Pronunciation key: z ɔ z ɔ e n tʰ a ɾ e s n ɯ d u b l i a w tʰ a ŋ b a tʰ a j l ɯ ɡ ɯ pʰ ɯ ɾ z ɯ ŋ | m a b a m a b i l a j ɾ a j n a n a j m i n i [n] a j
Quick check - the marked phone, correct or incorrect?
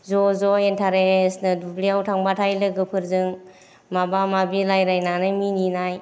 correct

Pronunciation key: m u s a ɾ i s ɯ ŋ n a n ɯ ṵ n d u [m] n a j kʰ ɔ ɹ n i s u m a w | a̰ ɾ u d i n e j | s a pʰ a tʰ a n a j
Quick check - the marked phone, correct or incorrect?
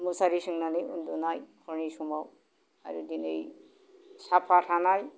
incorrect: none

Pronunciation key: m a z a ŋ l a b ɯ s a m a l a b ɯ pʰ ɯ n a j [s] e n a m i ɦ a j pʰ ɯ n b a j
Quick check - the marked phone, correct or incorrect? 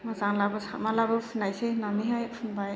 correct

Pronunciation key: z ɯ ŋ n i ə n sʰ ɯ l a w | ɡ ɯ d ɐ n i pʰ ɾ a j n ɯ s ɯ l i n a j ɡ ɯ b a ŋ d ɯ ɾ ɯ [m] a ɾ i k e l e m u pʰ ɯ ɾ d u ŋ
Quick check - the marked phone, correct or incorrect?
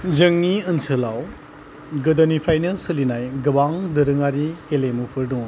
incorrect: ŋ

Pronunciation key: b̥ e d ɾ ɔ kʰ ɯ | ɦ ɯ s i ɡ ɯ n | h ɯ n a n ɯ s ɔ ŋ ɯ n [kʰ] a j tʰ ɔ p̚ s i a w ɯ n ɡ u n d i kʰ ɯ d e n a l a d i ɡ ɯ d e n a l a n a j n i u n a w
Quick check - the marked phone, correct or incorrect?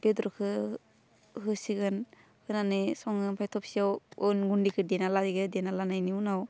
incorrect: pʰ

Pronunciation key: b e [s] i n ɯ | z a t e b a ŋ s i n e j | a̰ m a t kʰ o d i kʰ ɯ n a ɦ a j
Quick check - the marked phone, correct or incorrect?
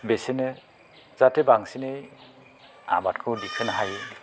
correct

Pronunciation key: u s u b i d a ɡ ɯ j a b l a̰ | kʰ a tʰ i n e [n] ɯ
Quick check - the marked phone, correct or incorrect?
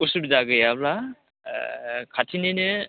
correct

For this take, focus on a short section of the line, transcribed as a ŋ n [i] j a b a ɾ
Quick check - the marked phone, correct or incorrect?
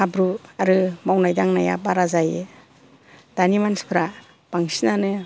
incorrect: a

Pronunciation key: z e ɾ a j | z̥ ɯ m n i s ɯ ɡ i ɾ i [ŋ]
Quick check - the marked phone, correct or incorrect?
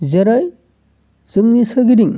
correct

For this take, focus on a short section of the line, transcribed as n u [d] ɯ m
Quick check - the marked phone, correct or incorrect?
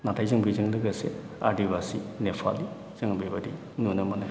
incorrect: n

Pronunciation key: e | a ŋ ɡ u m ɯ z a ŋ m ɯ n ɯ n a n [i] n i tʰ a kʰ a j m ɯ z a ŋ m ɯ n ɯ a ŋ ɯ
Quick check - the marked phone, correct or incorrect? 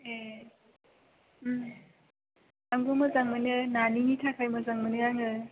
correct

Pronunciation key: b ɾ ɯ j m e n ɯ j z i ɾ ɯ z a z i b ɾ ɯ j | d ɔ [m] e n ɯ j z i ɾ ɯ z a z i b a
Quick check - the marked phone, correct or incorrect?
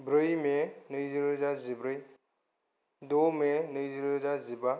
correct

